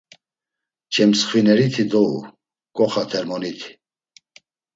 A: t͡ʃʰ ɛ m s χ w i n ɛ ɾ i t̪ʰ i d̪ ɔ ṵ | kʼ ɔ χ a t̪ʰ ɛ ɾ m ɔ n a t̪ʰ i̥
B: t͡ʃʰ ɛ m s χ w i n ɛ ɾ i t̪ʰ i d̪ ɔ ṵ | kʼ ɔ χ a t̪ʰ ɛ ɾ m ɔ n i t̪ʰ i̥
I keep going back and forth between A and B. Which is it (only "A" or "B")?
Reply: B